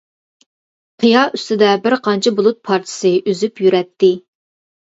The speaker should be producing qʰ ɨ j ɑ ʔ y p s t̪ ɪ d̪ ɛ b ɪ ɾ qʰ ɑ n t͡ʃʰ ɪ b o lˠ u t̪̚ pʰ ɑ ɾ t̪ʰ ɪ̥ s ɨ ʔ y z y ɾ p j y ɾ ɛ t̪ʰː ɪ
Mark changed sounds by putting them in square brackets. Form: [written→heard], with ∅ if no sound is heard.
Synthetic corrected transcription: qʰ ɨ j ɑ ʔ y [p→∅] s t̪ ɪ d̪ ɛ b ɪ ɾ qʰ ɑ n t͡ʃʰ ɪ b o lˠ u t̪̚ pʰ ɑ ɾ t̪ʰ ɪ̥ s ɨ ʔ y z y [ɾ→∅] p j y ɾ ɛ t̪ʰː ɪ